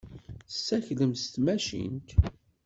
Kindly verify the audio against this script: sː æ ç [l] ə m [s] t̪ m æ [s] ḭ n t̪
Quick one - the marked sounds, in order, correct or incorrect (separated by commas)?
correct, correct, incorrect